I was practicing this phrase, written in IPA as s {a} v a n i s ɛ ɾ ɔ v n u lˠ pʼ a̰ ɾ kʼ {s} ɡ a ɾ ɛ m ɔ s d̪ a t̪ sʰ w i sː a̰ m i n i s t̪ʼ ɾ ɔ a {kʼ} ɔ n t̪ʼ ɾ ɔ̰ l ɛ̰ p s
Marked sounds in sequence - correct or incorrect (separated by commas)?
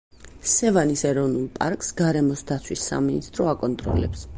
incorrect, correct, correct